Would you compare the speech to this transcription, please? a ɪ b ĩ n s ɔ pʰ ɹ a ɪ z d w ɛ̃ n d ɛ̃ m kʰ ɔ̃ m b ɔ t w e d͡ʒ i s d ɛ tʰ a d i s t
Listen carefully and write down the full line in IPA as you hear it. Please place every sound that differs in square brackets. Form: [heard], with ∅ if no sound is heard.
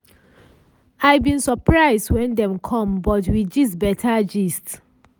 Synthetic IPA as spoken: a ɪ b ĩ n s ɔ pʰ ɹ a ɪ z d w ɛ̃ n d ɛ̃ m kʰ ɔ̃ m b ɔ t w [i] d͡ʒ i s [b] ɛ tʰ a [d͡ʒ] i s t